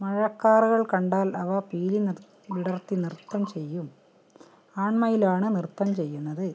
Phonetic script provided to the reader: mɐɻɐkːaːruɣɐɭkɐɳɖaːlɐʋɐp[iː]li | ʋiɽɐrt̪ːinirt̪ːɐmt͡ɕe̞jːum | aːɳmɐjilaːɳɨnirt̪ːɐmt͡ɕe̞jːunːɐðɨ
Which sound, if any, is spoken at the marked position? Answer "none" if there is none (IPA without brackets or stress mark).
iː